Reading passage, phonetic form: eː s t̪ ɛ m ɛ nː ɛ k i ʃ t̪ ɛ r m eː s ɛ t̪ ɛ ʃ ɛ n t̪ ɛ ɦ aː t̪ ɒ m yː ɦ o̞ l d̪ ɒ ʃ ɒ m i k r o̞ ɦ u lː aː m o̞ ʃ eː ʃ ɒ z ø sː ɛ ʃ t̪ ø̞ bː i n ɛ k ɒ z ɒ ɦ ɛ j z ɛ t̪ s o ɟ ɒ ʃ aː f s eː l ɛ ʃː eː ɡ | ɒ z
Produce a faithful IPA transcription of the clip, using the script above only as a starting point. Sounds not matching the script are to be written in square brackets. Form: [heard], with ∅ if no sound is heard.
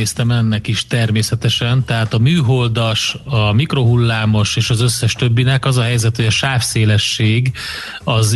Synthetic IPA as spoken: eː s t̪ ɛ m ɛ nː ɛ k i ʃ t̪ ɛ r m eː s ɛ t̪ ɛ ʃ ɛ n t̪ ɛ ɦ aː t̪ ɒ m yː ɦ o̞ l d̪ ɒ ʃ ɒ m i k r o̞ ɦ u lː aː m o̞ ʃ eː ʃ ɒ z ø sː ɛ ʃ t̪ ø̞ bː i n ɛ k ɒ z ɒ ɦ ɛ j z ɛ t̪ [h] o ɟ ɒ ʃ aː f s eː l ɛ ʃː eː ɡ | ɒ z